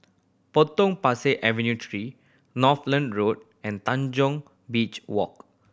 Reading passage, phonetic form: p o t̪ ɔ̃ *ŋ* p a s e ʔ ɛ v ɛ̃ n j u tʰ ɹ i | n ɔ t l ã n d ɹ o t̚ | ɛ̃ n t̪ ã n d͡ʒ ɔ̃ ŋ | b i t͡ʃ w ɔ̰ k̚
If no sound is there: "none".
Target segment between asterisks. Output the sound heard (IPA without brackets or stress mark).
ŋ